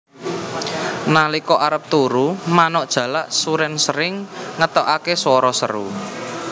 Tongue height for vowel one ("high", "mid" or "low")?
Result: low